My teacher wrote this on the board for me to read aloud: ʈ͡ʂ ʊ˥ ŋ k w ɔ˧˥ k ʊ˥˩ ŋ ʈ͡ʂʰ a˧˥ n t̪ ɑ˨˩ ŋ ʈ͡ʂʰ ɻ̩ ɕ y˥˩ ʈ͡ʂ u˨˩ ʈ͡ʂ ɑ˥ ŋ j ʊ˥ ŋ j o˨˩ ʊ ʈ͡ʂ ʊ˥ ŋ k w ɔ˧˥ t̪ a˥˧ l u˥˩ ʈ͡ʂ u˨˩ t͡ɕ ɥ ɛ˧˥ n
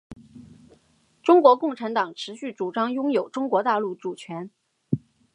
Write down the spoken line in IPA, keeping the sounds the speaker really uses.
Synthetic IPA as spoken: ʈ͡ʂ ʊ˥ ŋ k w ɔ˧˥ k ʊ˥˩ ŋ ʈ͡ʂʰ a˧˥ n t̪ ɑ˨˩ ŋ ʈ͡ʂʰ ɻ̩ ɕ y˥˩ ʈ͡ʂ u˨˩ ʈ͡ʂ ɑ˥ ŋ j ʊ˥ ŋ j o˨˩ ʊ ʈ͡ʂ ʊ˥ ŋ k w ɔ˧˥ t̪ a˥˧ l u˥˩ ʈ͡ʂ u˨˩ t͡ɕʰ ɥ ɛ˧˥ n